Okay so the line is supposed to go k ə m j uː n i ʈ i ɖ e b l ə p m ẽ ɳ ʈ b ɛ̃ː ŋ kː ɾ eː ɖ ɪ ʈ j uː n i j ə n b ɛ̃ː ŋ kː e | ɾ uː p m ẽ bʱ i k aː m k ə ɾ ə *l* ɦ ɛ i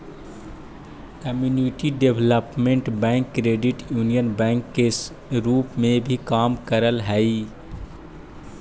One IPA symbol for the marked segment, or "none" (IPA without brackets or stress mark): l